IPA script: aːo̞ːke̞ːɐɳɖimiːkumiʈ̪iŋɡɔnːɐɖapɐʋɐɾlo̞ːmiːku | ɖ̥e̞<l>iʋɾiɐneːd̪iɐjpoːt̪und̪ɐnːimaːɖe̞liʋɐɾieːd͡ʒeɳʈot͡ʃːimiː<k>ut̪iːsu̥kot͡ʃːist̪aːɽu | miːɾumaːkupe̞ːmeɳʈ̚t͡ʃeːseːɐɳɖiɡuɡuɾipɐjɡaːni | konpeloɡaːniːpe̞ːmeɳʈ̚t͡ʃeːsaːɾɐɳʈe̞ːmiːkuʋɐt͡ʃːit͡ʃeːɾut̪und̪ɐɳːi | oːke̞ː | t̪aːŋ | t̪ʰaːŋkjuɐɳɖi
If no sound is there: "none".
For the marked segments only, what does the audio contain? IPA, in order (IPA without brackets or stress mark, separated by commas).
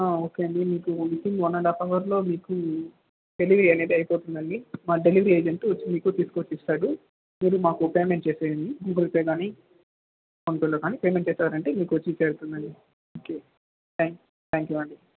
l, k